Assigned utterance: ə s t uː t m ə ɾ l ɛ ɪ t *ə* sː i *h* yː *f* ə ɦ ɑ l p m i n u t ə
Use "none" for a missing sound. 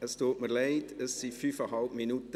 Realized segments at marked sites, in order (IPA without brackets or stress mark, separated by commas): ə, f, f